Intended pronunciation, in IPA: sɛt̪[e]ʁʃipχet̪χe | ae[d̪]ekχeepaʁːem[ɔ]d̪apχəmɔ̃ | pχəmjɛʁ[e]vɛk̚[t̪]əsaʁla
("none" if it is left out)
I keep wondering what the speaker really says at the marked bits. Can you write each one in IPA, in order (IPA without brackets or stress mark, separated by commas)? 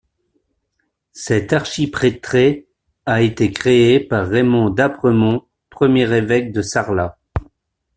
a, t̪, ɔ̃, e, d̪